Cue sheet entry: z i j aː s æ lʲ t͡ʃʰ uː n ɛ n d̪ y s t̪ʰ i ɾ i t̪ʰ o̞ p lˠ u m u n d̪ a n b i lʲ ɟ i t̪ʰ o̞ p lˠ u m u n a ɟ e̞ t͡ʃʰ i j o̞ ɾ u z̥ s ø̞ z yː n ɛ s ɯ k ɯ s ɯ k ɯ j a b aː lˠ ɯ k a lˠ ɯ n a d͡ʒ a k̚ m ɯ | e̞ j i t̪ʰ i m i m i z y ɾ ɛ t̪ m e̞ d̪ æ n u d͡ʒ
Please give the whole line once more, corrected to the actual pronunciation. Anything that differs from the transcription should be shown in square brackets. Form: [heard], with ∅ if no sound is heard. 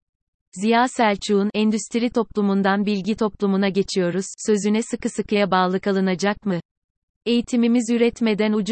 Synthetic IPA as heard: z i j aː s æ lʲ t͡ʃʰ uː n ɛ n d̪ y s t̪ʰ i ɾ i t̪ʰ o̞ p lˠ u m u n d̪ a n b i lʲ ɟ i t̪ʰ o̞ p lˠ u m u n a ɟ e̞ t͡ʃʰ i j o̞ ɾ u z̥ s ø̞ z [y] n ɛ s ɯ k ɯ s ɯ k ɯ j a b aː lˠ ɯ k a lˠ ɯ n a d͡ʒ a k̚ m ɯ | e̞ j i t̪ʰ i m i m i z y ɾ ɛ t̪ m e̞ d̪ æ n u d͡ʒ